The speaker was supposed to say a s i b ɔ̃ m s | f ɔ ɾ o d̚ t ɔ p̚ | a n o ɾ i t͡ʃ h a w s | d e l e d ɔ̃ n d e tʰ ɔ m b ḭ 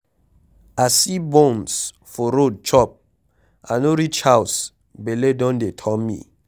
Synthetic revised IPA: a s i b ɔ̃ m s | f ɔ ɾ o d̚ t͡ʃ ɔ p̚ | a n o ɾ i t͡ʃ h a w s | b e l e d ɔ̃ n d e tʰ ɔ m m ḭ